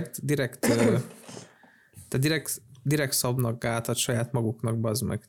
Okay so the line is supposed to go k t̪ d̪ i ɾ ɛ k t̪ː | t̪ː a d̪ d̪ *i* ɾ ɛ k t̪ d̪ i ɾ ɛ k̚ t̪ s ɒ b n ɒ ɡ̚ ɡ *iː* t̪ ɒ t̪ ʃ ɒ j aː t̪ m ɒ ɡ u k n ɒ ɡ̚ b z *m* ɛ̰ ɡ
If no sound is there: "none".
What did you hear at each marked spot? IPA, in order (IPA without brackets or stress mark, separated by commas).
i, aː, m